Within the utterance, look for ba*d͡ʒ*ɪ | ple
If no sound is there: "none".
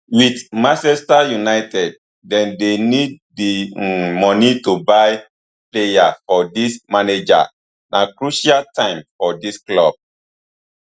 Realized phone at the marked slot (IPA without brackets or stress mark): none